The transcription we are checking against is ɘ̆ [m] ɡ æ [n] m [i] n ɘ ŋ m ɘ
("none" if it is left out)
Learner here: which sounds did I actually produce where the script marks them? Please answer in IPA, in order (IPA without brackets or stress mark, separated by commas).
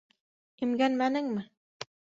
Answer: m, n, æ